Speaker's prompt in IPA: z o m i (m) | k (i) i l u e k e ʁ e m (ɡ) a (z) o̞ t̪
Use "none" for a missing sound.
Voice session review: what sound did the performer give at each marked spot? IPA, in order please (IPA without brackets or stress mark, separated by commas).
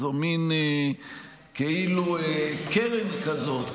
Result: n, e, k, z